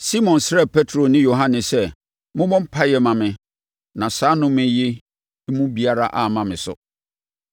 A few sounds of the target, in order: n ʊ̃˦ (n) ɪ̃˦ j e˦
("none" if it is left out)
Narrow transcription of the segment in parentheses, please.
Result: m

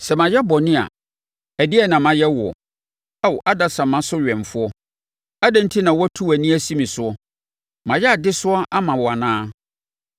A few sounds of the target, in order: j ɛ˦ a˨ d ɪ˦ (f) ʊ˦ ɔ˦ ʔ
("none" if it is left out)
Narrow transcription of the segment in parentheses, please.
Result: s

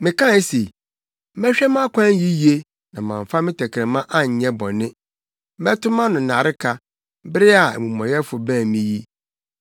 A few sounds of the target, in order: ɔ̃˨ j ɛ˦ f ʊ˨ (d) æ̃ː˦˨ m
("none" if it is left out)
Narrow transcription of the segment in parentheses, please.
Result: b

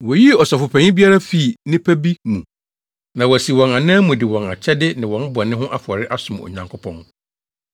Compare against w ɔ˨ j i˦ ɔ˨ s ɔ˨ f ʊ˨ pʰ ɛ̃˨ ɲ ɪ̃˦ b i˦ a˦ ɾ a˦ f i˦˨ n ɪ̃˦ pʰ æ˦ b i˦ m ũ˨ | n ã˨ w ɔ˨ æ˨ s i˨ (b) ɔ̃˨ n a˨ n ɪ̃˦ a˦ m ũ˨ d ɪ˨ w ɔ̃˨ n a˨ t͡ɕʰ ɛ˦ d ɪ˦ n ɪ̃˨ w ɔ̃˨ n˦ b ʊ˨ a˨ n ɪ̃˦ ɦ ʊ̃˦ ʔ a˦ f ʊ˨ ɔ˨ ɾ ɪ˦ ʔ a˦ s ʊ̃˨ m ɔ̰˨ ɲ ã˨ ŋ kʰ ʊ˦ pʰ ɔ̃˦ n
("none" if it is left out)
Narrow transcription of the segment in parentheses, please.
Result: w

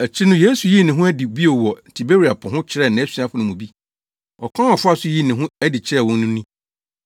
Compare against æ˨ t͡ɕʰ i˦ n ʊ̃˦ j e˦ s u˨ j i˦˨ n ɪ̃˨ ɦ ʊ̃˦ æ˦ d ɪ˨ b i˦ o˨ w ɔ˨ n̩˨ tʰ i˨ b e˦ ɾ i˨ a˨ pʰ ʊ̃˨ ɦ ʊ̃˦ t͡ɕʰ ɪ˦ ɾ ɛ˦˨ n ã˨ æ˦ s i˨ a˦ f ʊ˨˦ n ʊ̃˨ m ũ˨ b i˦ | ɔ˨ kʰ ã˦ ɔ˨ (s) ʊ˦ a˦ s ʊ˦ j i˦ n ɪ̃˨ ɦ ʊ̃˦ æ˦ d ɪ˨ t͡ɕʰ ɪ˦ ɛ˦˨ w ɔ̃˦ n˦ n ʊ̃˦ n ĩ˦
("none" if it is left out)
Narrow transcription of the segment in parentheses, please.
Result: f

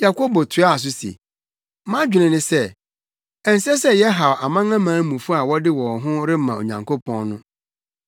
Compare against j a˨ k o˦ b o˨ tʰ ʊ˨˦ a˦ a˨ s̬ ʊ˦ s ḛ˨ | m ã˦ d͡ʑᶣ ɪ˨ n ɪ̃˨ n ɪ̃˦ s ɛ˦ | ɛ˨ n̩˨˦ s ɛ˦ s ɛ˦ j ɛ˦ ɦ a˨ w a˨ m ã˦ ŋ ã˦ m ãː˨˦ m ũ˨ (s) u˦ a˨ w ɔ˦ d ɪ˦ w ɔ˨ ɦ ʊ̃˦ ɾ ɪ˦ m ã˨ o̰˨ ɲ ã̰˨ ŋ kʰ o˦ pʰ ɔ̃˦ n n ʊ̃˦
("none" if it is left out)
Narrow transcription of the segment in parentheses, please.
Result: f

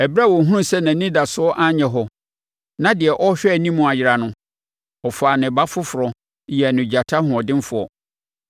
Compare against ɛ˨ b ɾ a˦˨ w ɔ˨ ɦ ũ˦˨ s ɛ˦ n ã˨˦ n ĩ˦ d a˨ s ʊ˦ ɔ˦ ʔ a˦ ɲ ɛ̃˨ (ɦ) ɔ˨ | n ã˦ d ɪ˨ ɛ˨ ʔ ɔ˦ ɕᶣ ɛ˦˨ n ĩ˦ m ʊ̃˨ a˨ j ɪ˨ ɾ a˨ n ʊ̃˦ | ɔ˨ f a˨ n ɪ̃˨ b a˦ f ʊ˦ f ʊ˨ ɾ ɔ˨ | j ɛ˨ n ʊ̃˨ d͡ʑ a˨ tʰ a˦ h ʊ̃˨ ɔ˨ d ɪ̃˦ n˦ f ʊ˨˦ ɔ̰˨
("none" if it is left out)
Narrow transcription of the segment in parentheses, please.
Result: ɦ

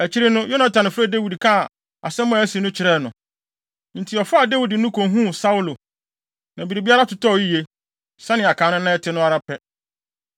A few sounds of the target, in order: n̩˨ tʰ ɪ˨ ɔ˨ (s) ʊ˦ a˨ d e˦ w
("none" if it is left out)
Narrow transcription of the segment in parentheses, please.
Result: f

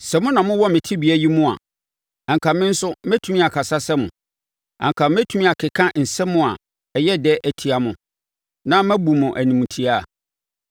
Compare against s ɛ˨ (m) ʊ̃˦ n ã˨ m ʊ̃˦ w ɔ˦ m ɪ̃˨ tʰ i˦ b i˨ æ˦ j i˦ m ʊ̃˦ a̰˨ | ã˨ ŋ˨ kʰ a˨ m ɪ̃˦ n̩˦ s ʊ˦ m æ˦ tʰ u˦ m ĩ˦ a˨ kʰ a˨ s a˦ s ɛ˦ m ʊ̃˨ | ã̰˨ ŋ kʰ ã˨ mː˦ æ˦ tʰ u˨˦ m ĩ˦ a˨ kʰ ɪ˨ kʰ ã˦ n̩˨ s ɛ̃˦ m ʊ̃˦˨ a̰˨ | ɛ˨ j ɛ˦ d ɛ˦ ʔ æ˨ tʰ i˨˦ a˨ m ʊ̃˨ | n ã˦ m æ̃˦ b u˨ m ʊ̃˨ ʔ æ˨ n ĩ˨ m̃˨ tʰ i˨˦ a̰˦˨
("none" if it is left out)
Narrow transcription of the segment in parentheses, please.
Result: m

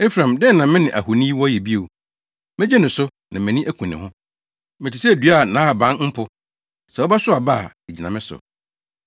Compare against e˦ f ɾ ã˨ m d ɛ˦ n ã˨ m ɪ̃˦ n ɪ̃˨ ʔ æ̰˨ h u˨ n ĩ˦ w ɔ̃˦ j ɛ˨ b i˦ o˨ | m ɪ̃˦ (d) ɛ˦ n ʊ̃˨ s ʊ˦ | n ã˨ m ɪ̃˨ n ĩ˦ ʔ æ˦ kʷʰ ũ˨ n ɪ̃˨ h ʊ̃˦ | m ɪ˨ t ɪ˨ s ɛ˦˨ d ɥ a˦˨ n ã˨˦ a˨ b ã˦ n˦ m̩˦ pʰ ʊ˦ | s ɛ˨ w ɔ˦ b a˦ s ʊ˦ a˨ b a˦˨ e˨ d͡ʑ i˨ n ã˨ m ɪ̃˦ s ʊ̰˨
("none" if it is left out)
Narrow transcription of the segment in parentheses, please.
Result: d͡ʑ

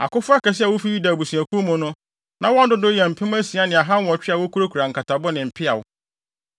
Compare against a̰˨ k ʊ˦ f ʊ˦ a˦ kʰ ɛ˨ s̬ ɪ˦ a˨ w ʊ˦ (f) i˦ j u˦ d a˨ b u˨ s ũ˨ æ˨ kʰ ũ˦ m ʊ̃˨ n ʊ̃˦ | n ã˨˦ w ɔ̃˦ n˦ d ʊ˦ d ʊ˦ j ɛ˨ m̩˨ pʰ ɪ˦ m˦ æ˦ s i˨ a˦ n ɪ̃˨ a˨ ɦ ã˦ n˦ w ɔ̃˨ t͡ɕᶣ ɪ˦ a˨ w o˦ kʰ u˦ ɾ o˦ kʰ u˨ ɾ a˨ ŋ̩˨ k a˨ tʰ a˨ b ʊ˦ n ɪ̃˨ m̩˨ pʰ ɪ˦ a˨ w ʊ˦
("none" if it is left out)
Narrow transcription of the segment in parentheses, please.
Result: f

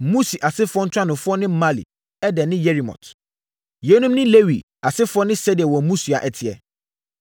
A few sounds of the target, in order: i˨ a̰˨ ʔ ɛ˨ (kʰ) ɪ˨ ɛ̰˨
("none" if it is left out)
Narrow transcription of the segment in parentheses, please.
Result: tʰ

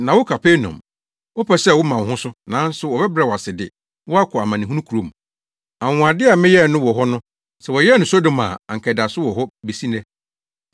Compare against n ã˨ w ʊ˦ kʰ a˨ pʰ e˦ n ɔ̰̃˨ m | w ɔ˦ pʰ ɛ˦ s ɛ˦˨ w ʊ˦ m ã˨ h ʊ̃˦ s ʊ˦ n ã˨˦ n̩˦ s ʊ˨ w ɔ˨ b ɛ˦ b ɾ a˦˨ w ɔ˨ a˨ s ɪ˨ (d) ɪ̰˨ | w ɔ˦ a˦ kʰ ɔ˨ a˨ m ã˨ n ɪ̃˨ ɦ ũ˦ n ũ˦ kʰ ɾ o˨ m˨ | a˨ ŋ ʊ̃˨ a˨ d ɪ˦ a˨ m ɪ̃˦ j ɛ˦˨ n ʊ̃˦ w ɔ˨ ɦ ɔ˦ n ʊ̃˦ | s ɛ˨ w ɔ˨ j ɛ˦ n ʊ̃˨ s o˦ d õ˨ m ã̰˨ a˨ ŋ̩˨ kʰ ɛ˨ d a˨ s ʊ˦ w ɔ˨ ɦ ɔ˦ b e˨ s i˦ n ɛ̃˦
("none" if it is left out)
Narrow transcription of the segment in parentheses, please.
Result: d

